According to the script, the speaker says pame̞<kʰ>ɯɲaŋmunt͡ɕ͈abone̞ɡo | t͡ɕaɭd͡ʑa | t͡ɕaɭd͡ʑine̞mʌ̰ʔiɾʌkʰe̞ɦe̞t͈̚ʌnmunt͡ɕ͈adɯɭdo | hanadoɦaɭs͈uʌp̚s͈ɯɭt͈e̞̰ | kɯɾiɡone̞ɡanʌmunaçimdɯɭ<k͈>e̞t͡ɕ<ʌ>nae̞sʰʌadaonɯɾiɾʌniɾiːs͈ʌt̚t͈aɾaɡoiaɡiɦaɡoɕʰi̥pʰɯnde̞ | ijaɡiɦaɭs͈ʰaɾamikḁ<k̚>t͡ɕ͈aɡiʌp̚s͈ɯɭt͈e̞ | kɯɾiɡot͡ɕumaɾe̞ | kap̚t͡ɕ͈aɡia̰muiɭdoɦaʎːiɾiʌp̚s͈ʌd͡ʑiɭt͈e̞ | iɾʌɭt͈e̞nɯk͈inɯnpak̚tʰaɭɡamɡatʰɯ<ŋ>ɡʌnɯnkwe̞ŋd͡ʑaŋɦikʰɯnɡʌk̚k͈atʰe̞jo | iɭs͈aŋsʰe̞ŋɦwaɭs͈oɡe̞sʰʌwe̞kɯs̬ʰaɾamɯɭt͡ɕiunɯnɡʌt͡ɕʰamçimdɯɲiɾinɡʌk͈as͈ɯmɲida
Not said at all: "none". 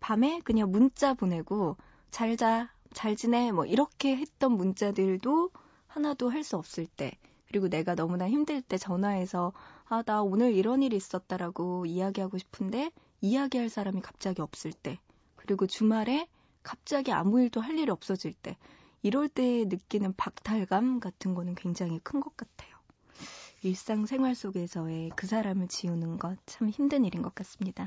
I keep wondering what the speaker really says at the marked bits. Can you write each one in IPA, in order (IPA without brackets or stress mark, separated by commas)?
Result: k, t͈, ʌ, p̚, n